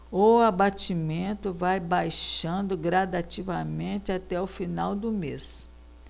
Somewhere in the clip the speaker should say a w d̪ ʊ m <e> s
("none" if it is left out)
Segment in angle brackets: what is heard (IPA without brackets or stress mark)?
e